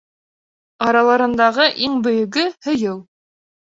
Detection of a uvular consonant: present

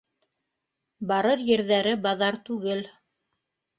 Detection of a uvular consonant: absent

